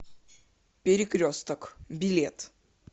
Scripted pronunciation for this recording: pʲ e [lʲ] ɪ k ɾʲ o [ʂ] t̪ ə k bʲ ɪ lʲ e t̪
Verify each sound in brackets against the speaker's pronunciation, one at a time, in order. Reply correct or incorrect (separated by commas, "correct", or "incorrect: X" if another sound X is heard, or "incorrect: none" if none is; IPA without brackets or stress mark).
incorrect: ɾʲ, incorrect: s